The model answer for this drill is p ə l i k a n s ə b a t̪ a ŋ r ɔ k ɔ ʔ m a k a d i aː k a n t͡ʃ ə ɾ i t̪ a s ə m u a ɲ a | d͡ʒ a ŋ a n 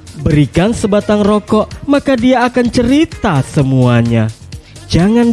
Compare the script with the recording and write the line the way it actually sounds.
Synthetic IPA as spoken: b ə ɾ i k a n s ə b a t̪ a ŋ r ɔ k ɔ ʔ m a k a d i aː k a n t͡ʃ ə ɾ i t̪ a s ə m u a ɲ a | d͡ʒ a ŋ a n